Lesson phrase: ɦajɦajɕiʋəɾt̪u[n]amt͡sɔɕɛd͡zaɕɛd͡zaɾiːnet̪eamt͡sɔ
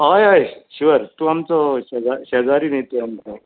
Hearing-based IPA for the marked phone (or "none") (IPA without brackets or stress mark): none